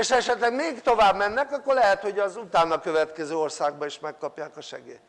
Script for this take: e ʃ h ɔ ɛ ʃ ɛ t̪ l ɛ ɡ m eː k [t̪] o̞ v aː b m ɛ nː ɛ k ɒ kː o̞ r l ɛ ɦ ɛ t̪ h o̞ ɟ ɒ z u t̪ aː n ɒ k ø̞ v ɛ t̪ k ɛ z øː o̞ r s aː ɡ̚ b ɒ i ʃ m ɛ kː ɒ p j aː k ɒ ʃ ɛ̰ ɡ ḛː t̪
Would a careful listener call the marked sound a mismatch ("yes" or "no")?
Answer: no